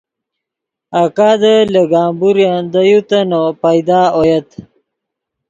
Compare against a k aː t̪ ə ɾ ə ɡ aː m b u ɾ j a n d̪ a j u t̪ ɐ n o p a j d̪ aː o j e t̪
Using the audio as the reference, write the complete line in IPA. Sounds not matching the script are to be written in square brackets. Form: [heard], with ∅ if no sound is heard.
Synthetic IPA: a k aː [d̪] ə [l] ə ɡ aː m b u ɾ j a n d̪ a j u t̪ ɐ n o p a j d̪ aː o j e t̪